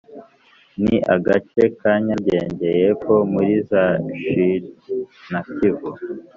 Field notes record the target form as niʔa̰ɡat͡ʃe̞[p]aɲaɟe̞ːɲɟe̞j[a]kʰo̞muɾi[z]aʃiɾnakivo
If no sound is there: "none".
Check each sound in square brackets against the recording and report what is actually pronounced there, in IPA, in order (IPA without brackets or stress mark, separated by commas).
k, e, z